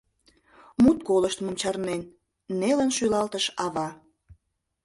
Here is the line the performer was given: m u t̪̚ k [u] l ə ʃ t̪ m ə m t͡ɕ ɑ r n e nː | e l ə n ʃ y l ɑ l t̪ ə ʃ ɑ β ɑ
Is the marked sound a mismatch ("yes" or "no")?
yes